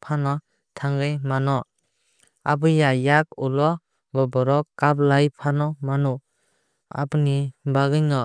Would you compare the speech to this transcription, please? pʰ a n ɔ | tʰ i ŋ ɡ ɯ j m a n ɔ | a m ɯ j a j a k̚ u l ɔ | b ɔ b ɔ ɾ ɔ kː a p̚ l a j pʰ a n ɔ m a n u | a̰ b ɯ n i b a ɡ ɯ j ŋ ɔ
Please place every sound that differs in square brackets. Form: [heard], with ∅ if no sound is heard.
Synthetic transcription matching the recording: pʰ a n ɔ | tʰ [a] ŋ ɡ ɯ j m a n ɔ | a [b] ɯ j a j a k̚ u l ɔ | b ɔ b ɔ ɾ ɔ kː a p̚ l a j pʰ a n ɔ m a n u | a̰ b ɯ n i b a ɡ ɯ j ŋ ɔ